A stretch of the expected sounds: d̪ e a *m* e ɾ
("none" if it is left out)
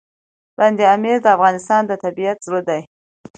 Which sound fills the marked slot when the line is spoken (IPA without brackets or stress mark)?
m